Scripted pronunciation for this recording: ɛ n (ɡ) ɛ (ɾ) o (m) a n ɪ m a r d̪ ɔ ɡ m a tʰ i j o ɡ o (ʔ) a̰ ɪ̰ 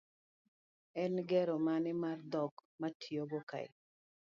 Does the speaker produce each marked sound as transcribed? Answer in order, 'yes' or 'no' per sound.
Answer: yes, yes, yes, no

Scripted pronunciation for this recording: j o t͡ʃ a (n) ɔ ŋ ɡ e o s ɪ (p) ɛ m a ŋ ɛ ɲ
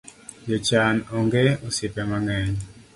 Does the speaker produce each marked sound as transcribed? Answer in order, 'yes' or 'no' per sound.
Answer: yes, yes

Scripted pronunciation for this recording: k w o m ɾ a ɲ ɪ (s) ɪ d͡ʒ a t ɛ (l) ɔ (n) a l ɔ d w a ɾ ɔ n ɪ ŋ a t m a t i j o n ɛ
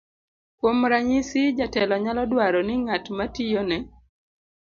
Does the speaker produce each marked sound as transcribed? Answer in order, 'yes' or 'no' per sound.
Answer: yes, yes, no

